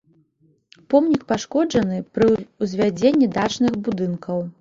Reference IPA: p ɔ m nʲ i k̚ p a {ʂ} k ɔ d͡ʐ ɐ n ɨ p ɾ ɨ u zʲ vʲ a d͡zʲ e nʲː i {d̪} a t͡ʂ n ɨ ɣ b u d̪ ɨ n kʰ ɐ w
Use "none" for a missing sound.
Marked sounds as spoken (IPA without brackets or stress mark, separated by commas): ʂ, d̪